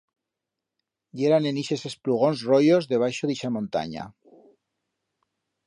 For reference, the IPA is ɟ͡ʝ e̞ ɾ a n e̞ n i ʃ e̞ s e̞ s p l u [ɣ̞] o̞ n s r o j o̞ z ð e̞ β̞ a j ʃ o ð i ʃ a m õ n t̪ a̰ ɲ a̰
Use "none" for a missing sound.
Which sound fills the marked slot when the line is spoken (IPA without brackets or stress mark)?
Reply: ɣ̞